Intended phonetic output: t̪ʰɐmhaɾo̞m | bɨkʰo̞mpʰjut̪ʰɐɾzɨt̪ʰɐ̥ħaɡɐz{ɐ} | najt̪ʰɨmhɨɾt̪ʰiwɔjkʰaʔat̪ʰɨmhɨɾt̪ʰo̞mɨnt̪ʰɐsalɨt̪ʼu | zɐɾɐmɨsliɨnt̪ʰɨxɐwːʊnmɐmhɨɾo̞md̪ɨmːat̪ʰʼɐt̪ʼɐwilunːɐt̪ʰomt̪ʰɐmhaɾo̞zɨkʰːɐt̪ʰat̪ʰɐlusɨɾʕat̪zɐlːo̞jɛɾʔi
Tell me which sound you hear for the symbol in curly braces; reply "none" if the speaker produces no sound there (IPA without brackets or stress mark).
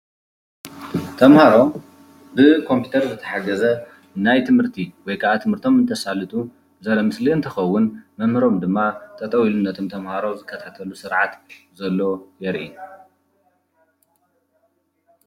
ɐ